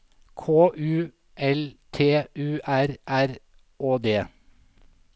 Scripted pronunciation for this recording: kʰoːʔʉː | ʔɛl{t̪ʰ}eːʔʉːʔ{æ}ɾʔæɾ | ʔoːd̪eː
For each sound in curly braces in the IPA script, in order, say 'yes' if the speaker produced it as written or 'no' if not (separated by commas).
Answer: yes, yes